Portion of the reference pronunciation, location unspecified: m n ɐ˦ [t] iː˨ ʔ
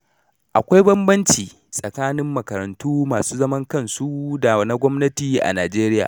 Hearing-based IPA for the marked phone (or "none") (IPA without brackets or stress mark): t